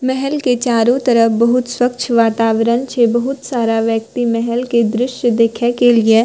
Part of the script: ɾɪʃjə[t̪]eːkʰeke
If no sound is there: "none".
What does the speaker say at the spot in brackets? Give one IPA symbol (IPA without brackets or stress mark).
d̪